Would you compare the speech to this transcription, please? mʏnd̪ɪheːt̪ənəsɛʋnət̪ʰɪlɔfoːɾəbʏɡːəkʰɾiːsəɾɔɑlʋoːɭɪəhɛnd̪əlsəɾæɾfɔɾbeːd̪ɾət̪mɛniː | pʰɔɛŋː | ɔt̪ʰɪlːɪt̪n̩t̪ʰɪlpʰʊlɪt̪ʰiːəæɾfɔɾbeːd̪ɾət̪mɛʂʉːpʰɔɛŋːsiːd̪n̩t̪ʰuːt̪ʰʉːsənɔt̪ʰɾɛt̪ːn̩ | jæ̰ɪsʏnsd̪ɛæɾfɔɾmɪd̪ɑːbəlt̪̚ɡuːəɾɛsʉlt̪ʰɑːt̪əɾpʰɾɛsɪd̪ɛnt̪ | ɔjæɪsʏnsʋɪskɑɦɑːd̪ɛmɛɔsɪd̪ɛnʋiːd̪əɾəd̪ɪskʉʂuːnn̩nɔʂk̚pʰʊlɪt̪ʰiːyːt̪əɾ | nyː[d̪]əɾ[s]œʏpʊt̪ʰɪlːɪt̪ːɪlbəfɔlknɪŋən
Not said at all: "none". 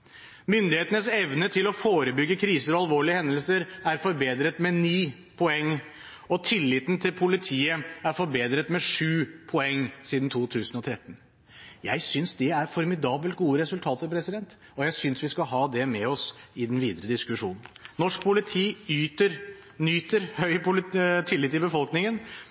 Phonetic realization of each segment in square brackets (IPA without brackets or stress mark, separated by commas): t̪, h